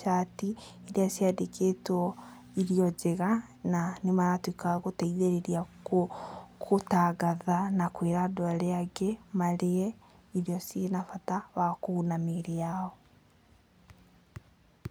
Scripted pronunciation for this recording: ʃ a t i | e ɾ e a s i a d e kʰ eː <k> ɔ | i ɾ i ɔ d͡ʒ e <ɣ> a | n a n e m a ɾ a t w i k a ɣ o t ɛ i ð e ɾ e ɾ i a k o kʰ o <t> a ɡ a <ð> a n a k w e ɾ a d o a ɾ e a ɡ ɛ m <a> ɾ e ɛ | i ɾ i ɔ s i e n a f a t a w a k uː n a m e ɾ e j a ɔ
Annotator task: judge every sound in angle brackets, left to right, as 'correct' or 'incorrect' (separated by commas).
incorrect, correct, correct, correct, correct